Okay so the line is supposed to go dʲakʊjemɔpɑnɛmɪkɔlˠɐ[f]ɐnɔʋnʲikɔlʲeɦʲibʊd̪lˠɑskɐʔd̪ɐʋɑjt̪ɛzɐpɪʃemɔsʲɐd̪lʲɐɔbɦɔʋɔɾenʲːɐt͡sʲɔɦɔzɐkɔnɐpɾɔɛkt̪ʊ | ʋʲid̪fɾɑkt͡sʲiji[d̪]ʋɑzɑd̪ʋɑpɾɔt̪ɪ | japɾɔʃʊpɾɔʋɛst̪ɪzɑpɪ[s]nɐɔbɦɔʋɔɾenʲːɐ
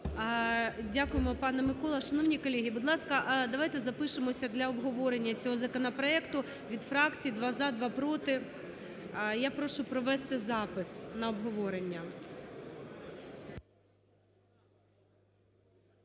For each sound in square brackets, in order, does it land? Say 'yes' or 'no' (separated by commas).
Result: no, yes, yes